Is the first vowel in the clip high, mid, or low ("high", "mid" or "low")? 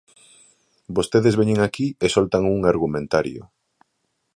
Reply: mid